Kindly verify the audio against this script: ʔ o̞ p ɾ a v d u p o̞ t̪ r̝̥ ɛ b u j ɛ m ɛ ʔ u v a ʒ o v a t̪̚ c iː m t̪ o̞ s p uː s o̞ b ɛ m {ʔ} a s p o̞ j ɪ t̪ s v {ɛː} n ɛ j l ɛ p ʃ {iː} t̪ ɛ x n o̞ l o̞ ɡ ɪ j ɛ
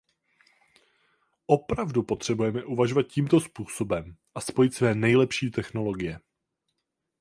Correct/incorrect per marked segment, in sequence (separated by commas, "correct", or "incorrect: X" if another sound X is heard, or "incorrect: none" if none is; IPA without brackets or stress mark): correct, correct, correct